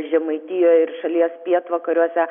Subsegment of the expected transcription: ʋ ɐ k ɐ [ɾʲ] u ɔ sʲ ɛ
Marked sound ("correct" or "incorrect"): correct